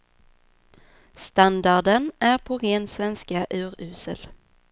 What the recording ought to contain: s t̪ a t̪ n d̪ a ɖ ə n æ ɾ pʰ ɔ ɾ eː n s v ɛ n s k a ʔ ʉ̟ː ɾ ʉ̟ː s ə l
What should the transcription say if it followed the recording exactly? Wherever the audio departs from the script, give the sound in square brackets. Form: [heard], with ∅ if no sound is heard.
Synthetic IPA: s t̪ a [∅] n d̪ a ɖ ə n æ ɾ pʰ ɔ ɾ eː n s v ɛ n s k a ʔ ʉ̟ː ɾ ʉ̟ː s ə l